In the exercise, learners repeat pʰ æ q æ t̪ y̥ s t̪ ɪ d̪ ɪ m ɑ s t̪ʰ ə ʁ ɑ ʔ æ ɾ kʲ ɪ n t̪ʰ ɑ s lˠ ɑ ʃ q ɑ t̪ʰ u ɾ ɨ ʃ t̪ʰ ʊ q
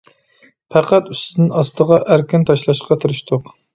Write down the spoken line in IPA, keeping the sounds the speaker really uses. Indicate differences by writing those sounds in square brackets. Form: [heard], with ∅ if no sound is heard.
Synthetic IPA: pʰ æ q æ t̪ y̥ s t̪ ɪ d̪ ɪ [n] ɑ s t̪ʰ ə ʁ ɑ ʔ æ ɾ kʲ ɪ n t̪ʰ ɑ [ʃ] lˠ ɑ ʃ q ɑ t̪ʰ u ɾ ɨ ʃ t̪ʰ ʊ q